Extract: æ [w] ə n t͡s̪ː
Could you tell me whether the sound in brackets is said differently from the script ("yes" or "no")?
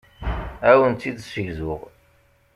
no